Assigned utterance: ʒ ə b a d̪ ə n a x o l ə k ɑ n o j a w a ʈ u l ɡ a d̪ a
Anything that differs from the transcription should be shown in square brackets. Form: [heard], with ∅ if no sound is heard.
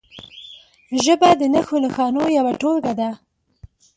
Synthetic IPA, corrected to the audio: ʒ ə b a d̪ ə n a x o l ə [x] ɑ n o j a w a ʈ [o] l ɡ a d̪ a